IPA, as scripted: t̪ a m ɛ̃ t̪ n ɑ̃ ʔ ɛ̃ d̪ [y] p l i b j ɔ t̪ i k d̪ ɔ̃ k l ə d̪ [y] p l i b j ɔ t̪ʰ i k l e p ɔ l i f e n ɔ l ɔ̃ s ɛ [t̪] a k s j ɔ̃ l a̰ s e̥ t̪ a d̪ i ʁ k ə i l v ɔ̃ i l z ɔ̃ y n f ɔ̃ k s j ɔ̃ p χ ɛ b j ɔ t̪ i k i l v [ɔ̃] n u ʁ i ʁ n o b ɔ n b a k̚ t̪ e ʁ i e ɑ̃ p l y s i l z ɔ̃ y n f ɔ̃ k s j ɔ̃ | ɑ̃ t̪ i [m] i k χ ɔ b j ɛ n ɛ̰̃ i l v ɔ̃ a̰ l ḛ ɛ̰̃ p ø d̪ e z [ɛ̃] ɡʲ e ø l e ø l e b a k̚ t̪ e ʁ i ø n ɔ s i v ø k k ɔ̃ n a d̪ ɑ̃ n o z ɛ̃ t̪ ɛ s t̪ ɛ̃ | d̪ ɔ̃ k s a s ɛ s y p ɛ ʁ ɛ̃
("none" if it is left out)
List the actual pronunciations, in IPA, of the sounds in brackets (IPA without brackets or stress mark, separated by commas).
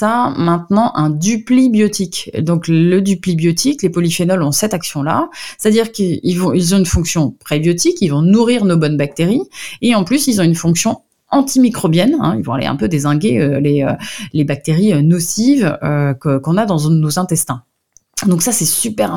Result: y, y, t̪, ɔ̃, m, ɛ̃